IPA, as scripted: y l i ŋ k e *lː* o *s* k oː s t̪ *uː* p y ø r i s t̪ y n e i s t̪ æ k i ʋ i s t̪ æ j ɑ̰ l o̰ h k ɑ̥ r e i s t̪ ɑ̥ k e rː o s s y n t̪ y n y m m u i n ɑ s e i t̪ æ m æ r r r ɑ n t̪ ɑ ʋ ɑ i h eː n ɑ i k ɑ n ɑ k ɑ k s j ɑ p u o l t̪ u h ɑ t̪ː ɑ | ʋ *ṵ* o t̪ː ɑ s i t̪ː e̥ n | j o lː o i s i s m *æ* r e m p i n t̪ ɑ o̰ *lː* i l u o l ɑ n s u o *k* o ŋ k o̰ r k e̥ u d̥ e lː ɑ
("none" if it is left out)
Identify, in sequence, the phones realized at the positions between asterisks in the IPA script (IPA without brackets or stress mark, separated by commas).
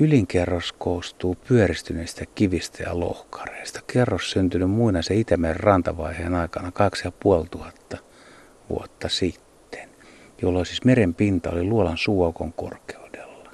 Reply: rː, s, uː, ṵ, e, l, k